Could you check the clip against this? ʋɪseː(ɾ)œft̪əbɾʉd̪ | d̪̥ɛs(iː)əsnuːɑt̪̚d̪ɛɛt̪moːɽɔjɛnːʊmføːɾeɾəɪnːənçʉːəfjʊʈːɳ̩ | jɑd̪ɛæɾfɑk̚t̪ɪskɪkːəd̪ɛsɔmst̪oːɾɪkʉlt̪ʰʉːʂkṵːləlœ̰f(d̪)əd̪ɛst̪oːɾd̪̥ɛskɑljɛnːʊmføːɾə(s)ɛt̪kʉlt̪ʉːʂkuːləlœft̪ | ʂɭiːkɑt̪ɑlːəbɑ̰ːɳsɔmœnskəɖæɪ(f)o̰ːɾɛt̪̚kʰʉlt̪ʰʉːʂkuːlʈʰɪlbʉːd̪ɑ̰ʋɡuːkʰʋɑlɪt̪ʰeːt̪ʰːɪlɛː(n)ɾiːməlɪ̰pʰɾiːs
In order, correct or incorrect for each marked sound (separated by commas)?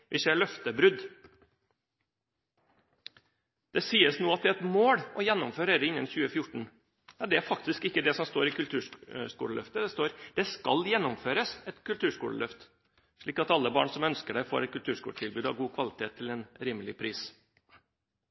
incorrect, correct, incorrect, correct, correct, correct